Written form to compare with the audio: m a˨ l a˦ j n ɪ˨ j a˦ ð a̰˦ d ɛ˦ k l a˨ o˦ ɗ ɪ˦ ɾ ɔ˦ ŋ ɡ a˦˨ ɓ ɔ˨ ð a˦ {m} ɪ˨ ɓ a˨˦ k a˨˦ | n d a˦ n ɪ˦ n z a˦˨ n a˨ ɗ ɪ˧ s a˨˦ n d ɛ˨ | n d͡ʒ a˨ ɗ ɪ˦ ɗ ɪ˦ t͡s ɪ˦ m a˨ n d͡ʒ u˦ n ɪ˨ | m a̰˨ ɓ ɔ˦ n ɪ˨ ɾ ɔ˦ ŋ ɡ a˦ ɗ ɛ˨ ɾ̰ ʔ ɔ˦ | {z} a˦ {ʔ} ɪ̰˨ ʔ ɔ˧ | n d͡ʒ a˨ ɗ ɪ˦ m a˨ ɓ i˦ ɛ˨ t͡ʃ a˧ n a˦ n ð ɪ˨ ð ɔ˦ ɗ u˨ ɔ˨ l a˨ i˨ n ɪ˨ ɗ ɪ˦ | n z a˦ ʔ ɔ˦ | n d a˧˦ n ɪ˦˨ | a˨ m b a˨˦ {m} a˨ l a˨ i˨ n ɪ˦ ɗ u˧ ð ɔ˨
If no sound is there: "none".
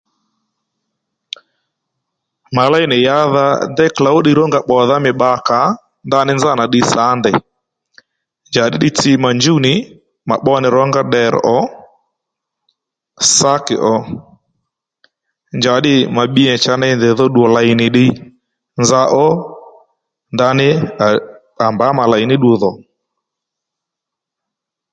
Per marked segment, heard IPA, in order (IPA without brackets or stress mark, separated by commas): m, s, k, m